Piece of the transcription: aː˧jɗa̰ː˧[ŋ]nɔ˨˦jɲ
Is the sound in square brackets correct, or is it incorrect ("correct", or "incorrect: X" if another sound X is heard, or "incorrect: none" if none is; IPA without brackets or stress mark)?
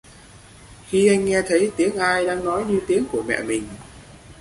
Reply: correct